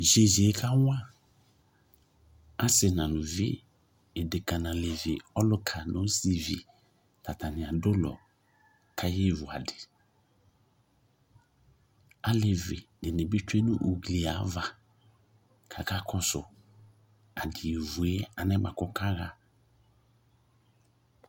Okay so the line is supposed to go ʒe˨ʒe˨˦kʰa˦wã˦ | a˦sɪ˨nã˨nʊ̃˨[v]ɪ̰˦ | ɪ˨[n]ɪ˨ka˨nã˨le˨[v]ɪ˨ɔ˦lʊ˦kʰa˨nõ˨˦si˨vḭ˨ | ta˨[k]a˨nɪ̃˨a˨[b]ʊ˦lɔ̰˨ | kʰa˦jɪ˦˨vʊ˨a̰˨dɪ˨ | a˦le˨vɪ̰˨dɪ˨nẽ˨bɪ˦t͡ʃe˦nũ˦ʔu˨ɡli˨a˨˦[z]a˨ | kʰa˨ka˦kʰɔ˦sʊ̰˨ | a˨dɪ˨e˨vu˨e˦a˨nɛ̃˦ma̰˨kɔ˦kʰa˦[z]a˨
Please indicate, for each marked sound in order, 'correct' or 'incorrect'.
correct, incorrect, correct, incorrect, incorrect, incorrect, incorrect

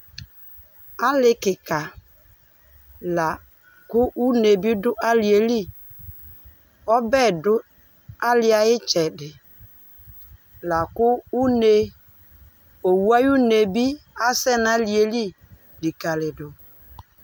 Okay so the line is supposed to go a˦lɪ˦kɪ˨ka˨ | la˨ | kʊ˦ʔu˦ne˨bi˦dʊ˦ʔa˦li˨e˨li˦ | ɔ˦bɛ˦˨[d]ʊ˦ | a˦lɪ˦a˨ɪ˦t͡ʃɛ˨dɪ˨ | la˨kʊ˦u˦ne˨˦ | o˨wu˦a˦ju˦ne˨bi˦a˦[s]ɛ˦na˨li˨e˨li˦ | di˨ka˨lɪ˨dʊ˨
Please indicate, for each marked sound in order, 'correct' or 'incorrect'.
correct, correct

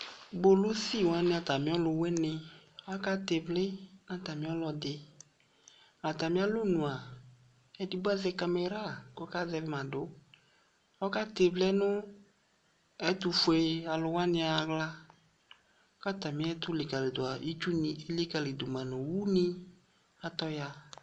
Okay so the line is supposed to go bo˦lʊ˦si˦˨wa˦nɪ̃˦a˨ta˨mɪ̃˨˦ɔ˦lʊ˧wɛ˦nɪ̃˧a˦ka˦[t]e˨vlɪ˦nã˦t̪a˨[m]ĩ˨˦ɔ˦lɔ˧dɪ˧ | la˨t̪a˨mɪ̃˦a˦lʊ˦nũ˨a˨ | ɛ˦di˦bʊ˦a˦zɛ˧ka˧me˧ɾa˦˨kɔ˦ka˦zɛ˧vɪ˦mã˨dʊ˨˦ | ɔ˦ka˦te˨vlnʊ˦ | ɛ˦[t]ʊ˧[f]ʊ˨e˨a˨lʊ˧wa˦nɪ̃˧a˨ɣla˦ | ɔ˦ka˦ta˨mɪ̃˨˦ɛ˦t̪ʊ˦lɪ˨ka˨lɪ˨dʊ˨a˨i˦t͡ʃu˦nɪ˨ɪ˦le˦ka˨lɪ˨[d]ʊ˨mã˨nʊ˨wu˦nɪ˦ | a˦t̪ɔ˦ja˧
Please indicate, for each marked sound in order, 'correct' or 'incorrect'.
correct, correct, correct, correct, correct

